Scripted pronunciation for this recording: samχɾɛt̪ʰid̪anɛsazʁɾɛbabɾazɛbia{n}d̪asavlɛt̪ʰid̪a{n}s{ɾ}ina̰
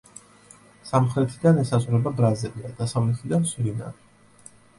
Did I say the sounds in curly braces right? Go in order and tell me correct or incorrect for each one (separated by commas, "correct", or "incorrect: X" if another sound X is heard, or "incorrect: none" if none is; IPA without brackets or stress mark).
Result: incorrect: none, correct, correct